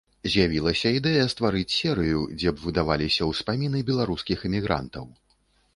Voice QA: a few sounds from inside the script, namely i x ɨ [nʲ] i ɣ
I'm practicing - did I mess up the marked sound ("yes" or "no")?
yes